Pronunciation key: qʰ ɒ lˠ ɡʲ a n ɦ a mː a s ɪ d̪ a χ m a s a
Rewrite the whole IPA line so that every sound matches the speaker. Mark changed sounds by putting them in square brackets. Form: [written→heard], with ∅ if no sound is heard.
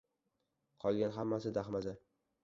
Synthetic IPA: qʰ ɒ lˠ ɡʲ a n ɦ a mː a s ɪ d̪ a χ m a [s→z] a

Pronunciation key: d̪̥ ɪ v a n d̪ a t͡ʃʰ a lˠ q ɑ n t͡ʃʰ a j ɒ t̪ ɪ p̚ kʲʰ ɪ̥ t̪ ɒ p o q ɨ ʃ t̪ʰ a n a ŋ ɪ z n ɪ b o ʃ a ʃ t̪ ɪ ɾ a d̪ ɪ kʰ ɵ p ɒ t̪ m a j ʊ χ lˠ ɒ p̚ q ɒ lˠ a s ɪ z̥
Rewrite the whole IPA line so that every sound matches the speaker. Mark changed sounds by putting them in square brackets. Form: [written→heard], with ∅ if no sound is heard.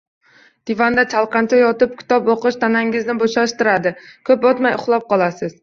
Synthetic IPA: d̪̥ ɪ v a n d̪ a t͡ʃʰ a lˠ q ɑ n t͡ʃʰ a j ɒ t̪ ɪ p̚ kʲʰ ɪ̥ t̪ ɒ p o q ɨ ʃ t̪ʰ a n a ŋ ɪ z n ɪ b o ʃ a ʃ t̪ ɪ ɾ a d̪ ɪ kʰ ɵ p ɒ t̪ m a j ʊ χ lˠ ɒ p̚ q ɒ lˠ a s ɪ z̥

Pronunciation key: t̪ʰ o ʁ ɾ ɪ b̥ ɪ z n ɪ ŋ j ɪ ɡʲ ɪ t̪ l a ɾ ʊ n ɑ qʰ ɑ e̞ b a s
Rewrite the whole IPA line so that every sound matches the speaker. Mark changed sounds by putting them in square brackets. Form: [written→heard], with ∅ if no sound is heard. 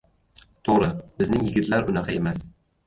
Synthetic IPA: t̪ʰ o ʁ ɾ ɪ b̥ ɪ z n ɪ ŋ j ɪ ɡʲ ɪ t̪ l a ɾ ʊ n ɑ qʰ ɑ e̞ [b→m] a s

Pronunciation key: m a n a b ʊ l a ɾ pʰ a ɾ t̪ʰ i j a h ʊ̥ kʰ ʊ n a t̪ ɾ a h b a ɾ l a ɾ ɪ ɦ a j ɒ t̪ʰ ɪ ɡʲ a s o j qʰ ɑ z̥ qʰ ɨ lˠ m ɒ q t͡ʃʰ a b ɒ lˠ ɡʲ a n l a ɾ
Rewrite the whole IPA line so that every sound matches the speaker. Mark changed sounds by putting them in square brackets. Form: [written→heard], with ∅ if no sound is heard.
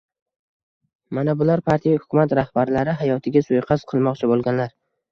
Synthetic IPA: m a n a b ʊ l a ɾ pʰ a ɾ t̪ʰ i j a h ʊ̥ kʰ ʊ [n→m] a t̪ ɾ a h b a ɾ l a ɾ ɪ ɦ a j ɒ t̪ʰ ɪ ɡʲ a s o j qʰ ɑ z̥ qʰ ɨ lˠ m ɒ q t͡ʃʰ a b [ɒ→o] lˠ ɡʲ a n l a ɾ

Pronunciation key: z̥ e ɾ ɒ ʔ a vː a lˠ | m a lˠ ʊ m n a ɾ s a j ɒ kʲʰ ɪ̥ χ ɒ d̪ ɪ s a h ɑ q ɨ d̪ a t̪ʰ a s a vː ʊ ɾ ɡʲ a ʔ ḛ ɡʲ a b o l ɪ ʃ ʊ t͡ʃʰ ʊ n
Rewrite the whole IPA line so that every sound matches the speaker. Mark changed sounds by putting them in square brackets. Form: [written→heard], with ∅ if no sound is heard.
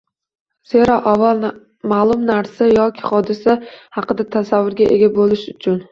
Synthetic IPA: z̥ e ɾ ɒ ʔ a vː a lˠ | m a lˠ ʊ m n a ɾ s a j ɒ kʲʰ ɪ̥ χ ɒ d̪ ɪ s a h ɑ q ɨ d̪ a t̪ʰ a s a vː ʊ ɾ ɡʲ a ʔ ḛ ɡʲ a b o l ɪ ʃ ʊ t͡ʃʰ ʊ n

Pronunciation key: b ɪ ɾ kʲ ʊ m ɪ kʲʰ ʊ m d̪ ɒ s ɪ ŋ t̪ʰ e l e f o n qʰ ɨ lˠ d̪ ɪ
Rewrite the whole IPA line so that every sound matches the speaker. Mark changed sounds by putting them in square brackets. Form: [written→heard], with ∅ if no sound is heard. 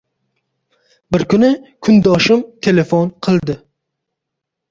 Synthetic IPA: b ɪ ɾ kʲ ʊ [m→n] ɪ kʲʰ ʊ [m→n] d̪ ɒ [s→ʃ] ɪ [ŋ→m] t̪ʰ e l e f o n qʰ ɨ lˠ d̪ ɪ

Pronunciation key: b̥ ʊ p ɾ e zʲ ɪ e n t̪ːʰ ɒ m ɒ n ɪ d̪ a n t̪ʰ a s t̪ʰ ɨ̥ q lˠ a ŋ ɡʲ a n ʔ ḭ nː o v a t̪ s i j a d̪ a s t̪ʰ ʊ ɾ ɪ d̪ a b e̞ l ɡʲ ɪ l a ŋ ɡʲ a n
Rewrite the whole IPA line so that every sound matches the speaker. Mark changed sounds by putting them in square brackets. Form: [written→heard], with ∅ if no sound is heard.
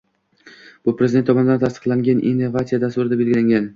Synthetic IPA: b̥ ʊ p ɾ e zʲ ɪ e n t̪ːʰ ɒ m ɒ n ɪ d̪ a n t̪ʰ a s [t̪ʰ→t̪] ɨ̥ q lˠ a ŋ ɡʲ a n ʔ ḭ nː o v a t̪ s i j a d̪ a s [t̪ʰ→t̪] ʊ ɾ ɪ d̪ a b e̞ l ɡʲ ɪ l a ŋ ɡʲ a n

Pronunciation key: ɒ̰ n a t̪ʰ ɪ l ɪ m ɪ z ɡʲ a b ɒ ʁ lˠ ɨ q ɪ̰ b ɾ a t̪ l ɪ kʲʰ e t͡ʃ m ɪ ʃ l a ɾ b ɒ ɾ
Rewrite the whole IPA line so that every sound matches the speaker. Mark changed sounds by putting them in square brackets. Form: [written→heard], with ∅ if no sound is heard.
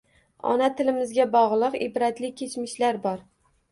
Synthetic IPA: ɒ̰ n a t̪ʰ ɪ l ɪ m ɪ z ɡʲ a b ɒ ʁ lˠ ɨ q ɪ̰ b ɾ a t̪ l ɪ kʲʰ e t͡ʃ m ɪ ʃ l a ɾ b ɒ ɾ

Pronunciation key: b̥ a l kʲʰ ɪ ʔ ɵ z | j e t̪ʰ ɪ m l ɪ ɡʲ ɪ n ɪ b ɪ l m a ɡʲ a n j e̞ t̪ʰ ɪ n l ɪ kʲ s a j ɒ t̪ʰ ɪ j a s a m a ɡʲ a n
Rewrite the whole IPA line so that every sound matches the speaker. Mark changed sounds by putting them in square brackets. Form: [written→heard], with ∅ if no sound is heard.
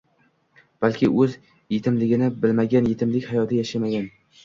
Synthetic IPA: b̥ a l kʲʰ ɪ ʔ ɵ z | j e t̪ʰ ɪ m l ɪ ɡʲ ɪ n ɪ b ɪ l m a ɡʲ a n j e̞ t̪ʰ ɪ [n→m] l ɪ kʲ [s→h] a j ɒ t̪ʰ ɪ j a [s→ʃ] a m a ɡʲ a n

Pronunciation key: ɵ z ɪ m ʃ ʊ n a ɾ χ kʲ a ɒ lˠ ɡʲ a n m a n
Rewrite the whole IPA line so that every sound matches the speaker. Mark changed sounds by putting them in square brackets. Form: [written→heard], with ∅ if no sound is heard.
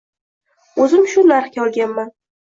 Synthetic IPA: ɵ z ɪ m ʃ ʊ n a ɾ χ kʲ a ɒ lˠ ɡʲ a n m a n

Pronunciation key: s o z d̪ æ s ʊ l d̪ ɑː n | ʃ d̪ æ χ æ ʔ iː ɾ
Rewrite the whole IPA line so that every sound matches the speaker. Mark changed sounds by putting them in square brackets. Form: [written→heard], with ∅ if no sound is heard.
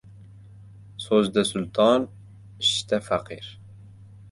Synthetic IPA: s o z d̪ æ s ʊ l [d̪→t̪] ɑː n | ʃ [d̪→t̪] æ [χ→f] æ [ʔ→q] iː ɾ

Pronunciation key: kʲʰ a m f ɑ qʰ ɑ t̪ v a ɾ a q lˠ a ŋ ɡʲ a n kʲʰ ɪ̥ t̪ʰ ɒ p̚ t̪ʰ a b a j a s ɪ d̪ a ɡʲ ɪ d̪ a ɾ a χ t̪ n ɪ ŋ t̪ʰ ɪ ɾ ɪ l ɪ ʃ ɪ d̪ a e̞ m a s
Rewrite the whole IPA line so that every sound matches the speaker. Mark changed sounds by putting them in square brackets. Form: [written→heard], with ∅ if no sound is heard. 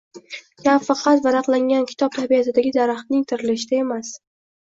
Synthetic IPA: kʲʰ a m f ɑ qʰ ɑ t̪ v a ɾ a q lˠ a ŋ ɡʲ a n kʲʰ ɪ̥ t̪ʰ ɒ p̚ t̪ʰ a b [a→i] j a s ɪ d̪ a ɡʲ ɪ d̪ a ɾ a χ t̪ n ɪ ŋ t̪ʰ ɪ ɾ ɪ l ɪ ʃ ɪ d̪ a e̞ m a s

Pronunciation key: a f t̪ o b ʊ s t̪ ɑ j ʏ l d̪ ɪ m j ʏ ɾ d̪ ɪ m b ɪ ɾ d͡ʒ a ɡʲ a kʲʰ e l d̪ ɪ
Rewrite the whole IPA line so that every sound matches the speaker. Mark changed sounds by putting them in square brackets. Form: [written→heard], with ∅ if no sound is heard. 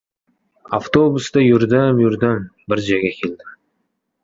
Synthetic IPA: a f t̪ o b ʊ s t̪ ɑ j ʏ [l→ɾ] d̪ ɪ m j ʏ ɾ d̪ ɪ m b ɪ ɾ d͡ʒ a ɡʲ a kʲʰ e l d̪ ɪ

